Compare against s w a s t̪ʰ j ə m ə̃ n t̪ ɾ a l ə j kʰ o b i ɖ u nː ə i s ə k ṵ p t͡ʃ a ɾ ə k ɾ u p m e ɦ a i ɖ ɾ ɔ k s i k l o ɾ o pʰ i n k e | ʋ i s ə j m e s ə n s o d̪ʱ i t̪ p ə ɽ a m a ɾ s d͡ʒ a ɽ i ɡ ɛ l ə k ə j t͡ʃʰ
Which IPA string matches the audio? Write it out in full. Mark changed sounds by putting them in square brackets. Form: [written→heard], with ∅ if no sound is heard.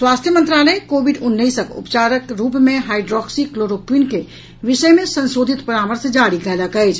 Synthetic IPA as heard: s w a s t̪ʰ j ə m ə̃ n t̪ ɾ a l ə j [kʰ→k] o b i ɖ u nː ə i s ə k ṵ p t͡ʃ a ɾ ə k ɾ u p m e ɦ a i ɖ ɾ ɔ k s i k l o ɾ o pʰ i n k e | ʋ i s ə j m e s ə n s o d̪ʱ i t̪ p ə [ɽ→ɾ] a m [a→ə] ɾ s d͡ʒ a ɽ i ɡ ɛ l ə k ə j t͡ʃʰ